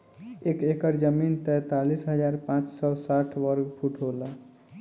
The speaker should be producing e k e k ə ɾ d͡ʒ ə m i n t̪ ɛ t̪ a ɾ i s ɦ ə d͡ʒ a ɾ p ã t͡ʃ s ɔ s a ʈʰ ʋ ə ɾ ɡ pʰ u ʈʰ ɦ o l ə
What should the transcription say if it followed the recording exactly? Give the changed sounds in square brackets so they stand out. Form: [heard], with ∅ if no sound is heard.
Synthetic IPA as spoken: e k e k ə ɾ d͡ʒ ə m i n t̪ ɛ t̪ a [l] i s ɦ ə d͡ʒ a ɾ p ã t͡ʃ s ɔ s a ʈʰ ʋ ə ɾ ɡ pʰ u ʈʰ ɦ o l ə